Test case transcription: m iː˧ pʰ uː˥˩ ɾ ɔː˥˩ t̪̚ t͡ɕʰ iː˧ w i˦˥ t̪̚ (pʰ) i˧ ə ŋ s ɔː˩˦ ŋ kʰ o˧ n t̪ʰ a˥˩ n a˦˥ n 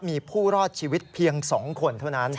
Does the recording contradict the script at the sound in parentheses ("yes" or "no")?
no